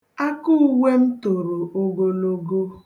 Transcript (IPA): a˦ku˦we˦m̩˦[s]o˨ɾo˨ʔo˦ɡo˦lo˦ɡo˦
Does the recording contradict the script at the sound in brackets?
yes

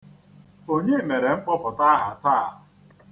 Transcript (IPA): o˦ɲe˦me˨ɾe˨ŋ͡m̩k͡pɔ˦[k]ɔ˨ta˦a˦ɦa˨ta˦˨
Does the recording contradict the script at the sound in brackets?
yes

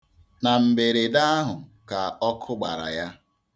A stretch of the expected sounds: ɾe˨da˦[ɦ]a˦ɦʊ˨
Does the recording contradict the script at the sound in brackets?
yes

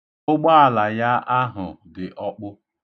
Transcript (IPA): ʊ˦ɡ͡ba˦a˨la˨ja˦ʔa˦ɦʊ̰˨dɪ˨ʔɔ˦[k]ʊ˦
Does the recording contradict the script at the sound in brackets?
yes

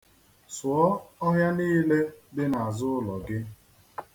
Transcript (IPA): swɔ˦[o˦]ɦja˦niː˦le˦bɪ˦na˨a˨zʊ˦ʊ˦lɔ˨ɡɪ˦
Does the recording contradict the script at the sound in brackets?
yes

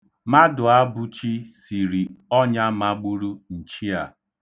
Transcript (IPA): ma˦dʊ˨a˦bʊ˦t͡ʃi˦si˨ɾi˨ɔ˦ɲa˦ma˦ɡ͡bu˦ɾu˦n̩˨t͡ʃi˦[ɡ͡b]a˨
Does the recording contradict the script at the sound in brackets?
yes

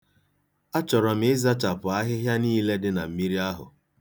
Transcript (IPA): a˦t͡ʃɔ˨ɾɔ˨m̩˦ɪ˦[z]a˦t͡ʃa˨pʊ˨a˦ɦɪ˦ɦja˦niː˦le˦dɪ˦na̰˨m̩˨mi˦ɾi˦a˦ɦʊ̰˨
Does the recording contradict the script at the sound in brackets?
no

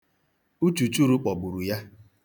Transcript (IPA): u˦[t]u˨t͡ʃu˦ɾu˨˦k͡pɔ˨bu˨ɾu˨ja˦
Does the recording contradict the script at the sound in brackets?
yes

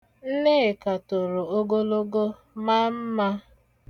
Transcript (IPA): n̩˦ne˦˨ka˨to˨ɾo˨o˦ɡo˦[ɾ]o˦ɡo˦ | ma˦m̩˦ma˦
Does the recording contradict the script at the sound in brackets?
yes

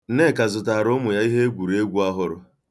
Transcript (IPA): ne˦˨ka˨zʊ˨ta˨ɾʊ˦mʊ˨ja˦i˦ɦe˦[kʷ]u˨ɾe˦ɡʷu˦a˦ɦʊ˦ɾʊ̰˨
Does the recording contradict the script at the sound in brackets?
yes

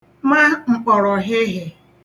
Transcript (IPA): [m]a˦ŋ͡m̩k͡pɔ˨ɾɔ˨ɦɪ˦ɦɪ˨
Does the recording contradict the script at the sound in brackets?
no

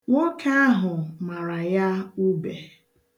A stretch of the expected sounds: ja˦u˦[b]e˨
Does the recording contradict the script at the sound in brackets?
no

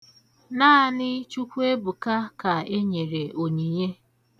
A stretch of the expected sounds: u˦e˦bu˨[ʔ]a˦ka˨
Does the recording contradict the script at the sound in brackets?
yes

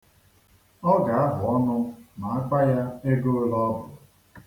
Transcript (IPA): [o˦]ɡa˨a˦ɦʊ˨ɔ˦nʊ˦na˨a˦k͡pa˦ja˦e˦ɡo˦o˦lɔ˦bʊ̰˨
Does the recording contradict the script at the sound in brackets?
yes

